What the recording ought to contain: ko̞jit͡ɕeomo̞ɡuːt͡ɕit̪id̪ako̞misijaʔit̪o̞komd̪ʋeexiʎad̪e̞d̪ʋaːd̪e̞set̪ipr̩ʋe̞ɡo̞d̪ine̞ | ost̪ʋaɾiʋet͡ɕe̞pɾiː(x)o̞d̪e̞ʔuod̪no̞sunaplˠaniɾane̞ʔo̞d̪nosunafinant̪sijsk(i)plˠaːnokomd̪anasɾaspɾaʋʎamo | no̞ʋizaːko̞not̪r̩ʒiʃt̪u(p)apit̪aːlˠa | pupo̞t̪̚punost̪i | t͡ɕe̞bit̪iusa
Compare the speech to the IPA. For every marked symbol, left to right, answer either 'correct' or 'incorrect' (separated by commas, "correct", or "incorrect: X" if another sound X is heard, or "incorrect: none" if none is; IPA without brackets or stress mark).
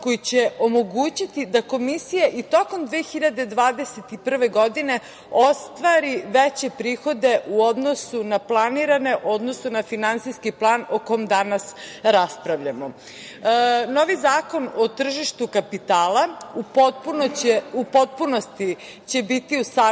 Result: correct, correct, incorrect: k